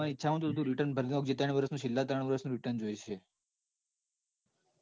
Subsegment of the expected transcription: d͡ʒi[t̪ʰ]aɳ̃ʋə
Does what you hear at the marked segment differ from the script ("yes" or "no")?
yes